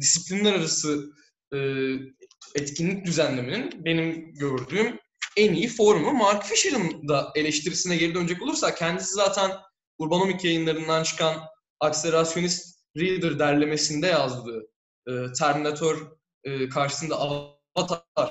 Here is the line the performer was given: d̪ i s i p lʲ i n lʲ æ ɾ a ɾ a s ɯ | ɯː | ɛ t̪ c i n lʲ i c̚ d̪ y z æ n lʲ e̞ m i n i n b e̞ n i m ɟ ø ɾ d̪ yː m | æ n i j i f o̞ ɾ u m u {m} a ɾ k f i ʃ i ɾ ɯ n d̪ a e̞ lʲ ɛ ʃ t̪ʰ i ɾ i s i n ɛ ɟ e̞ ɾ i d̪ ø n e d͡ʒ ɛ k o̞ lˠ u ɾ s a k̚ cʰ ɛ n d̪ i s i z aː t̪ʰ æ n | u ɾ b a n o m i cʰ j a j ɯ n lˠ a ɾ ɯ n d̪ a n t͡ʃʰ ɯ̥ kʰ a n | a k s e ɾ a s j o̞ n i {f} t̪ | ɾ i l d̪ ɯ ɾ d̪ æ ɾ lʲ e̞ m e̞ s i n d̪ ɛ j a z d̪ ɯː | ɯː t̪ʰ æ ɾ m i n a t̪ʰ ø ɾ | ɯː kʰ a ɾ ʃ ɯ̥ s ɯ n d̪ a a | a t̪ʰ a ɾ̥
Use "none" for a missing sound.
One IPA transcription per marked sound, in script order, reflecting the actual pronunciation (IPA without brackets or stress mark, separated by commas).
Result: m, s